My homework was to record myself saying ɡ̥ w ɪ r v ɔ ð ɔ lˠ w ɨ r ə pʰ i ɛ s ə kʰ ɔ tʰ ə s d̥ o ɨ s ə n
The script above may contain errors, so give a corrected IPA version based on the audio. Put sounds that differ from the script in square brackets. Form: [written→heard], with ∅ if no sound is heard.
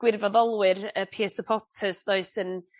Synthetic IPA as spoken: ɡ̥ w ɪ r v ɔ ð ɔ lˠ w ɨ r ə pʰ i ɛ s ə [kʰ→pʰ] ɔ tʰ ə s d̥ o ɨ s ə n